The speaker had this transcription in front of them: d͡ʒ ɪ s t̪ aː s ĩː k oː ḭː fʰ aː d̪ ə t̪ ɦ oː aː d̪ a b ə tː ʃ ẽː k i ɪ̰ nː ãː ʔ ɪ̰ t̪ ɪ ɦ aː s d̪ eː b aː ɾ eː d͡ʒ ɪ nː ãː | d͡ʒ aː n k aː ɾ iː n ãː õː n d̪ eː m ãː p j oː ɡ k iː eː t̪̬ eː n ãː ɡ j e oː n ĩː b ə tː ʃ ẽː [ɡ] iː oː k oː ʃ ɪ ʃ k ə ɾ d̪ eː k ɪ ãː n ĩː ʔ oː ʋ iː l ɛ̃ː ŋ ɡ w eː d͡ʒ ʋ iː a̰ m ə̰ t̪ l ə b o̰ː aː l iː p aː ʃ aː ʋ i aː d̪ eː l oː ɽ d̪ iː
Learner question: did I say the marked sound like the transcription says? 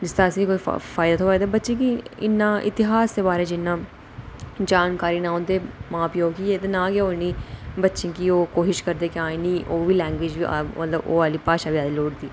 no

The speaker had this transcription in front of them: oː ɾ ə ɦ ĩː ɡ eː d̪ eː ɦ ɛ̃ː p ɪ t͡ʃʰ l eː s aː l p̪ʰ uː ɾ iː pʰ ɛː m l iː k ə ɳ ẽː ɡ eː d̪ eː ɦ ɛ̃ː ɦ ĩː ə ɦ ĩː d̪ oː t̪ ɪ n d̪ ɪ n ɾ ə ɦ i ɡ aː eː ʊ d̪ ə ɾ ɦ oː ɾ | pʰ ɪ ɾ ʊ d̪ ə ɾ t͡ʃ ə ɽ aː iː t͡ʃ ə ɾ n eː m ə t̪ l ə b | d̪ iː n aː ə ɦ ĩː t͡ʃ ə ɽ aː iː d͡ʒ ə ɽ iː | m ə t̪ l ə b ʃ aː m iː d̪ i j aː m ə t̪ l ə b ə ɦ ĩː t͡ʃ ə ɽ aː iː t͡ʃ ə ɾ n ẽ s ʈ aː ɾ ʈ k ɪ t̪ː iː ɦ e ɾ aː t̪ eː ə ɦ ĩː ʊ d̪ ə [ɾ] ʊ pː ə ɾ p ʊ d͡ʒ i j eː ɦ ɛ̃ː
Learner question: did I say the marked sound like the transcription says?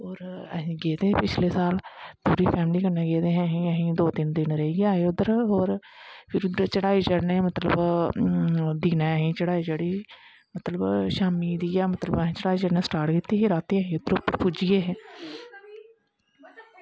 yes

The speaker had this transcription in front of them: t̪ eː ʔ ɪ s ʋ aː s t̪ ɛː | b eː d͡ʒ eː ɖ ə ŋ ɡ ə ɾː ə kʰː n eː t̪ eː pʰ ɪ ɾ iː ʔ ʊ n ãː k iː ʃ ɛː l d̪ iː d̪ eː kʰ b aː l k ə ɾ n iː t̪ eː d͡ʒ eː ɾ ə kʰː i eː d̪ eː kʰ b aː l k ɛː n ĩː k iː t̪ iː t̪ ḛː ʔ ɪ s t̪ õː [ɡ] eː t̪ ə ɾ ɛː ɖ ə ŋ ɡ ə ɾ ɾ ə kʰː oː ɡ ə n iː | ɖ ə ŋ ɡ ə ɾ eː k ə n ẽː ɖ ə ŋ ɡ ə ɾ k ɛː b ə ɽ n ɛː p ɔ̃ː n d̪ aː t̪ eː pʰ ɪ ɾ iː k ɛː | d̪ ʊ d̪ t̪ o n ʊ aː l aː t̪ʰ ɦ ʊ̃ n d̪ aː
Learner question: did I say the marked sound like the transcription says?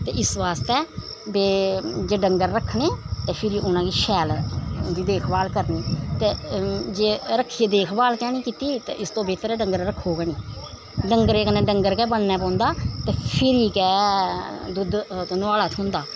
no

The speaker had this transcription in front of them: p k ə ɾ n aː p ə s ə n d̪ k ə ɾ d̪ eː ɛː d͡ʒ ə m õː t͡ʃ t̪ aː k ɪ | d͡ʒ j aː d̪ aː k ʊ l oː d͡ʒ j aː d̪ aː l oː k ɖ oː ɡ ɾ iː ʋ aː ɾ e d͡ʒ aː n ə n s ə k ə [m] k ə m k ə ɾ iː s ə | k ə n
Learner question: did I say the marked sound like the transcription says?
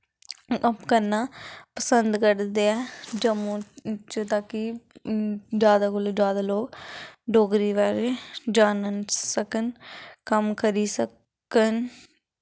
no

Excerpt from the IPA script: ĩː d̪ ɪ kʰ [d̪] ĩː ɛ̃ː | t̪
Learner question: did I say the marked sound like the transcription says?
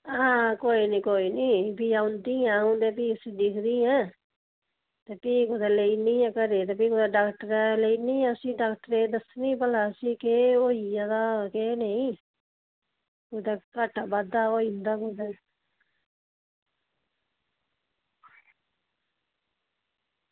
yes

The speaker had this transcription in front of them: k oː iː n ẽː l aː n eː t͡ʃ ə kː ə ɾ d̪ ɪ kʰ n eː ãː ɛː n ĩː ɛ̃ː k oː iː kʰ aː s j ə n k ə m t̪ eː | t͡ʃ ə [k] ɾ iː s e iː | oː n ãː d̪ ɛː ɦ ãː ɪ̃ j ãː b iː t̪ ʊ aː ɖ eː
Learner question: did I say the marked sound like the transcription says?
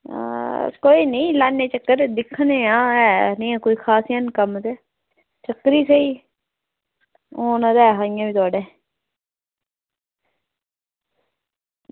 yes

